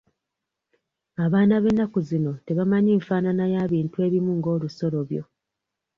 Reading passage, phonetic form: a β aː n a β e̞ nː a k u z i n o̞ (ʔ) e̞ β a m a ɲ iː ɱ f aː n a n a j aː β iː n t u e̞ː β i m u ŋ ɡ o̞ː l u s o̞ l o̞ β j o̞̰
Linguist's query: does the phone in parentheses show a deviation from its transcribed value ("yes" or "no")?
yes